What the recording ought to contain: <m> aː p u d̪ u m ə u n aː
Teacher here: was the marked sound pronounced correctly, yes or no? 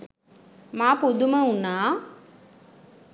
yes